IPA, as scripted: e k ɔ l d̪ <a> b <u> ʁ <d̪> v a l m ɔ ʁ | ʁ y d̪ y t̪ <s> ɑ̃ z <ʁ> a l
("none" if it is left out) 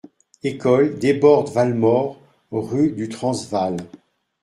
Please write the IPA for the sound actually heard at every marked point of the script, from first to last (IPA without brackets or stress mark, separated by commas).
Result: e, ɔ, d̪, χ, v